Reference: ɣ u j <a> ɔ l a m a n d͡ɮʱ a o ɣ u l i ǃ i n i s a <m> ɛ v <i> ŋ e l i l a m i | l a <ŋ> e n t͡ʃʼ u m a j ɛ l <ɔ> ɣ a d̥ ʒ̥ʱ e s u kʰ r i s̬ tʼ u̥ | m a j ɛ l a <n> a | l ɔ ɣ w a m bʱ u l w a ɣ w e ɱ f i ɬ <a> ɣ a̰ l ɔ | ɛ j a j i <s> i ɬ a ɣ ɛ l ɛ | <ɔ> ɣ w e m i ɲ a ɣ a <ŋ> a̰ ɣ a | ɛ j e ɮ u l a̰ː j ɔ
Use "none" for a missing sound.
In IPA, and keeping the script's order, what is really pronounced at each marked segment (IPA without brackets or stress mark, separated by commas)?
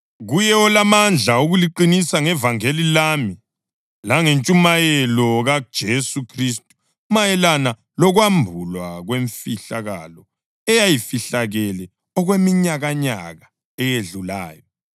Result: ɛ, ŋ, a, ŋ, ɔ, n, a, f, ɔ, ɲ